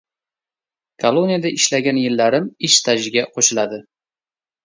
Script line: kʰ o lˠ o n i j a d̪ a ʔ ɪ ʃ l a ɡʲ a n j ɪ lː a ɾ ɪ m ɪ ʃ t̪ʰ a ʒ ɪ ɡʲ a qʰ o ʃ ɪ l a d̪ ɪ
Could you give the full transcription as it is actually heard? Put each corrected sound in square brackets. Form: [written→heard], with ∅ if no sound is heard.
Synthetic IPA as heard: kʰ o lˠ o n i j a d̪ a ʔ ɪ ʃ l a ɡʲ a n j ɪ lː a ɾ ɪ m ɪ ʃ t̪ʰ a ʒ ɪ ɡʲ a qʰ o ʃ ɪ l a d̪ ɪ

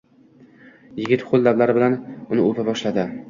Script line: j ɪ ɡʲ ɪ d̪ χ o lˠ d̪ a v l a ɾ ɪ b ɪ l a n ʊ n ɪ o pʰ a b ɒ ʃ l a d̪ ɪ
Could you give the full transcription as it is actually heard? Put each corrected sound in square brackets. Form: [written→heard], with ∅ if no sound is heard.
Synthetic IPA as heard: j ɪ ɡʲ ɪ [d̪→t̪] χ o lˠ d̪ a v l a ɾ ɪ b ɪ l a n ʊ n ɪ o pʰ a b ɒ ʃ l a d̪ ɪ

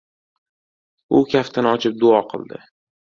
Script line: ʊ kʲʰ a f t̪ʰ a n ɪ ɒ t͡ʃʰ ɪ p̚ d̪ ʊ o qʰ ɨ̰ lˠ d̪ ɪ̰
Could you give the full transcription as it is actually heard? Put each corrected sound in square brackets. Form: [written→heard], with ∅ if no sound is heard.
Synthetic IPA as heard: ʊ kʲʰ a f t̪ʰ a n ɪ ɒ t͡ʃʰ ɪ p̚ d̪ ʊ [o→ɒ] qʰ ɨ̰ lˠ d̪ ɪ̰

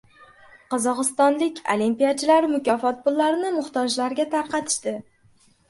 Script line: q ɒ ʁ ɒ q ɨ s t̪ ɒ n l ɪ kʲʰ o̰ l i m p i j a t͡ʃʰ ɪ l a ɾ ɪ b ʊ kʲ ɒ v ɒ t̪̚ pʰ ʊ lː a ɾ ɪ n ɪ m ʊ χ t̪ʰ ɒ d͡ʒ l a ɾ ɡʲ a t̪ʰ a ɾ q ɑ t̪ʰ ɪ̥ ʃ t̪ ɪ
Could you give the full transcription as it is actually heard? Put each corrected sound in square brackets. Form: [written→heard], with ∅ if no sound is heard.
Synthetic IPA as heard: q ɒ [ʁ→z] ɒ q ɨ s t̪ ɒ n l ɪ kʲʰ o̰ l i m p i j a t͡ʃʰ ɪ l a ɾ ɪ [b→m] ʊ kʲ ɒ [v→f] ɒ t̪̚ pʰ ʊ lː a ɾ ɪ n ɪ m ʊ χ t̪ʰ ɒ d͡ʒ l a ɾ ɡʲ a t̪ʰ a ɾ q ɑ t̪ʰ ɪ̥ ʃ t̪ ɪ

